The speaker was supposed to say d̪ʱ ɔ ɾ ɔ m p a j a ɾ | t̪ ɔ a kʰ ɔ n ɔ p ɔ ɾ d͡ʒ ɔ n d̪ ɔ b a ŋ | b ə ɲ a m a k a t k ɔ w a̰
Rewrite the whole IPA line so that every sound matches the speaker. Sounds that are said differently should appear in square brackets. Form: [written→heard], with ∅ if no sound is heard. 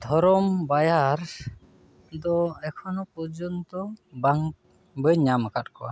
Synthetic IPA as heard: d̪ʱ ɔ ɾ ɔ m [p→b] a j a ɾ | [t̪→d̪] ɔ [a→ɛ] kʰ ɔ n ɔ p ɔ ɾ d͡ʒ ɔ n [d̪→t̪] ɔ b a ŋ | b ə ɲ a m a k a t k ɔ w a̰